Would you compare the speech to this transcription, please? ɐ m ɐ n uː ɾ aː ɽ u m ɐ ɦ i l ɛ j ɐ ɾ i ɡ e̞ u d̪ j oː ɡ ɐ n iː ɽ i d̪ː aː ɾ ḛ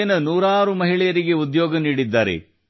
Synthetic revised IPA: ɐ n ɐ n uː ɾ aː ɾ u m ɐ ɦ i ɭ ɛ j ɐ ɾ i ɡ e̞ u d̪ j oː ɡ ɐ n iː ɽ i d̪ː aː ɾ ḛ